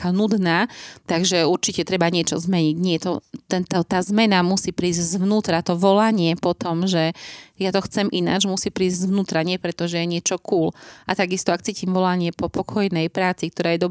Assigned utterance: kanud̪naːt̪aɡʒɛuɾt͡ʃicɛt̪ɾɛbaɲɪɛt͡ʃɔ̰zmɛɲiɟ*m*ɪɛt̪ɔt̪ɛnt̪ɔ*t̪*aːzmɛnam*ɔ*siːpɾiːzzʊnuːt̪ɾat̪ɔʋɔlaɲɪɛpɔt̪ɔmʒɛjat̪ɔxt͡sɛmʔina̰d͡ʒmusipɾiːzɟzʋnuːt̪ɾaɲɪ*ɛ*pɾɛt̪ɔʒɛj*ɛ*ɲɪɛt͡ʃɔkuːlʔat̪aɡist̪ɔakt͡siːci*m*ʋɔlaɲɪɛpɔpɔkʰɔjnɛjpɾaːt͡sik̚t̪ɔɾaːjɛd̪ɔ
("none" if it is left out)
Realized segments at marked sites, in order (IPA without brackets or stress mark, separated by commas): ɲ, t̪, u, ɛ, ɛ, m